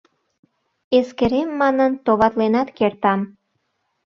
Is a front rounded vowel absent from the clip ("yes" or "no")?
yes